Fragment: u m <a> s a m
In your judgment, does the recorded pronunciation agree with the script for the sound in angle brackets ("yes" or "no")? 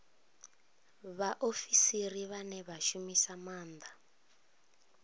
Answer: no